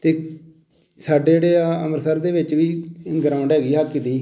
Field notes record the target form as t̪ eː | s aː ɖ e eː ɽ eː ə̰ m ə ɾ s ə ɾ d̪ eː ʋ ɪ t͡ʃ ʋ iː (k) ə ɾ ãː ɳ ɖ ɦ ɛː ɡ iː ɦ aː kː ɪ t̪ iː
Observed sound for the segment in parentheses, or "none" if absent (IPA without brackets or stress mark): ɡ